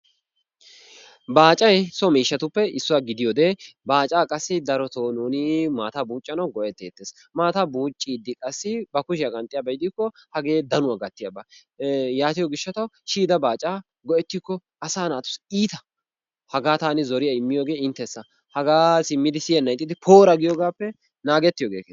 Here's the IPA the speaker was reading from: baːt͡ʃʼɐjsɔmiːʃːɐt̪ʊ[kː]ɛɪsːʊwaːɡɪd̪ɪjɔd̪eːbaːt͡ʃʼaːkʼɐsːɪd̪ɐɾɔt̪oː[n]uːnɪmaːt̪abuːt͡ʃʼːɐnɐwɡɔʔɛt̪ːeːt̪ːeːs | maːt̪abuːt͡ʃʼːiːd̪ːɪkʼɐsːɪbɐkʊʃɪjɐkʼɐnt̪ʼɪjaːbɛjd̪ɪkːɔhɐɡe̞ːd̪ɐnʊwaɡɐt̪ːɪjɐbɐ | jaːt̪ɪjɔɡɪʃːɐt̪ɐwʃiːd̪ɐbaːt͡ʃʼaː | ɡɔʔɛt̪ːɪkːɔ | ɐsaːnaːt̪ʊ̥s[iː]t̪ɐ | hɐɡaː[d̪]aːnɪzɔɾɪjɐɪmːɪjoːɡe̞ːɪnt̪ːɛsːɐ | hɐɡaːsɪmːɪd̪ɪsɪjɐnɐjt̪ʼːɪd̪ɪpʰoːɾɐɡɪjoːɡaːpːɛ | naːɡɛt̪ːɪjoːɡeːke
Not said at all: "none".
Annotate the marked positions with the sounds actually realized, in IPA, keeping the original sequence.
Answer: pː, n, iː, t̪

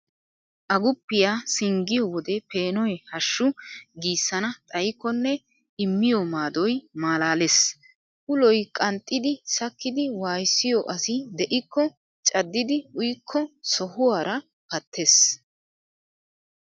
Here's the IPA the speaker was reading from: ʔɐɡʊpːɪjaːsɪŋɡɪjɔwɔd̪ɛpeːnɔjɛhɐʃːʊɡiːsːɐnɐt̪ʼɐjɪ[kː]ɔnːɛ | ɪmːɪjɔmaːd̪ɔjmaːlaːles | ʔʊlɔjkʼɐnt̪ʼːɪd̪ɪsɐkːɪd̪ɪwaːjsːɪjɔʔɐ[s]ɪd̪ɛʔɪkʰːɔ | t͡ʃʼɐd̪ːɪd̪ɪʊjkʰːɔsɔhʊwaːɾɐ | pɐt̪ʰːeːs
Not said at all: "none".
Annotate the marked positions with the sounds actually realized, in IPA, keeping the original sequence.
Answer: kː, s

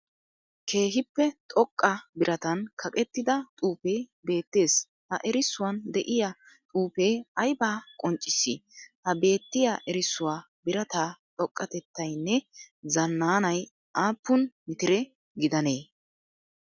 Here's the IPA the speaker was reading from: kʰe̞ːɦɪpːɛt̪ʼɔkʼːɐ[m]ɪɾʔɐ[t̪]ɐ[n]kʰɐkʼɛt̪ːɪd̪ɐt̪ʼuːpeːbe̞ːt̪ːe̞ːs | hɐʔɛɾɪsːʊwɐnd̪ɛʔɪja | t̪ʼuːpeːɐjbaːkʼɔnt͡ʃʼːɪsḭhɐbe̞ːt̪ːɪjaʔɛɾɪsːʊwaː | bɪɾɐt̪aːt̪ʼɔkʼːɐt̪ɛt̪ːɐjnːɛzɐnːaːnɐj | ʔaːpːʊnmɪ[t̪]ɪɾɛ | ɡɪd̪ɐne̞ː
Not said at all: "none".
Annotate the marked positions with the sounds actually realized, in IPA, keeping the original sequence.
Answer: b, t̪, n, t̪

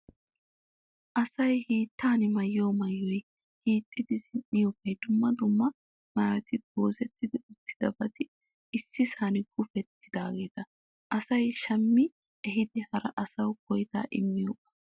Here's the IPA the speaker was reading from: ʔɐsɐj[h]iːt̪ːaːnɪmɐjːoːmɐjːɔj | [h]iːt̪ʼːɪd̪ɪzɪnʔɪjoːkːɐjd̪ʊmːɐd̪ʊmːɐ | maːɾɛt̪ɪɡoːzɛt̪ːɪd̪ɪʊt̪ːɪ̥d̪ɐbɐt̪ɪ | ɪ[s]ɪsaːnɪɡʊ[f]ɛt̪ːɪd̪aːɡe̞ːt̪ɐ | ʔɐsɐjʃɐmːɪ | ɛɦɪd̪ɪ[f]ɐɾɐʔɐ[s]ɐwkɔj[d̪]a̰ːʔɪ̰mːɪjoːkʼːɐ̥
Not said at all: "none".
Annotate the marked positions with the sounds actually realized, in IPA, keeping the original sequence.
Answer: h, h, sː, f, h, s, t̪

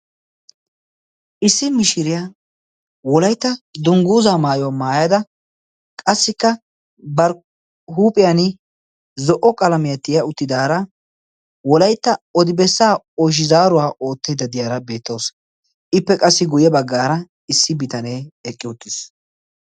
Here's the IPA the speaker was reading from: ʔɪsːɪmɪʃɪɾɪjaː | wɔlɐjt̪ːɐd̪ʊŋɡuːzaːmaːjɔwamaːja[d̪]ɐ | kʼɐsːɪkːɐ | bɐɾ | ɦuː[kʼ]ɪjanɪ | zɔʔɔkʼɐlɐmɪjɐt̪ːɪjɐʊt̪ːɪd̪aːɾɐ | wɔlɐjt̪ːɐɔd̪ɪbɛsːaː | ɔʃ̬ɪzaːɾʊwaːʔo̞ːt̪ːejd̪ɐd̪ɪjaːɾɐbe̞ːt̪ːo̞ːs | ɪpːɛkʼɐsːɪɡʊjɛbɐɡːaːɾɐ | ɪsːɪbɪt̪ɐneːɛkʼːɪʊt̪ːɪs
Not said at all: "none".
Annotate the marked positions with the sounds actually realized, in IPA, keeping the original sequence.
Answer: d̪, pʼ

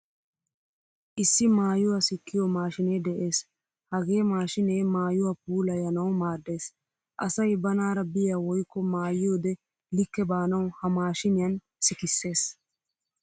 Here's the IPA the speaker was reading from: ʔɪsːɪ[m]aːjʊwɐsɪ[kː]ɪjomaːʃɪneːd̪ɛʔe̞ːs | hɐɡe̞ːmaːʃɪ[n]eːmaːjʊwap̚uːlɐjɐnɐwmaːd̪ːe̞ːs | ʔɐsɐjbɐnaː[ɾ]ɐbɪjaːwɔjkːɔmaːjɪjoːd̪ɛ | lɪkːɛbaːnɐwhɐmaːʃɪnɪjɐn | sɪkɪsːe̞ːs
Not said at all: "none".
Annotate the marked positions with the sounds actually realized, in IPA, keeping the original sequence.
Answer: m, kː, n, ɾ

